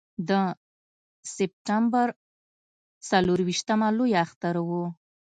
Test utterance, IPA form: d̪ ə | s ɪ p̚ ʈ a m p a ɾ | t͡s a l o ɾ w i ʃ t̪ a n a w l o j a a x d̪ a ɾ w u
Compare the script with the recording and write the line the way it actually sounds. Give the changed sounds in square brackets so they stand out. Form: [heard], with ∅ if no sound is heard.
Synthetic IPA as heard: d̪ ə | s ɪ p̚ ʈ a m [b] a ɾ | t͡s a l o ɾ w i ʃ t̪ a [m] a [∅] l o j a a x [t̪] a ɾ w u